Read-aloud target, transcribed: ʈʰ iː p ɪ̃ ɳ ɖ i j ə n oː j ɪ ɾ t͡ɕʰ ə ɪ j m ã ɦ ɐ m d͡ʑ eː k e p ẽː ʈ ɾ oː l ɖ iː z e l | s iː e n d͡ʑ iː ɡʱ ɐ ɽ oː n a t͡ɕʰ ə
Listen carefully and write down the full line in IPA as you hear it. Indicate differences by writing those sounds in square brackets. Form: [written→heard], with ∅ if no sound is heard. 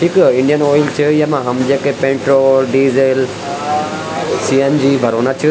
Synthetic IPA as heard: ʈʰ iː [p→k] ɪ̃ ɳ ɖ i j ə n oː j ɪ [ɾ→l] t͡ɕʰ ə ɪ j m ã ɦ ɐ m d͡ʑ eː k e p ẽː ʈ ɾ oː l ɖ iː z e l | s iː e n d͡ʑ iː [ɡʱ→bʱ] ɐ [ɽ→ɾ] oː n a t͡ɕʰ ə